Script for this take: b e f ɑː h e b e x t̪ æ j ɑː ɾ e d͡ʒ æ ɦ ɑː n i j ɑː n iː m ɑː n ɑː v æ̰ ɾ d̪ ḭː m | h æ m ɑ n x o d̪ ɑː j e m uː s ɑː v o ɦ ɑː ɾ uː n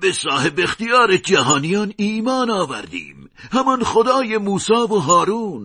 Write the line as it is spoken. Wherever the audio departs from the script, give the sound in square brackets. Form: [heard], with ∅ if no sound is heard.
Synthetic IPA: b e [s] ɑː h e b e x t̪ [i] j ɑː ɾ e d͡ʒ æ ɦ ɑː n i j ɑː n iː m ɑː n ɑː v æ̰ ɾ d̪ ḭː m | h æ m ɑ n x o d̪ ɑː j e m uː s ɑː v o ɦ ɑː ɾ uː n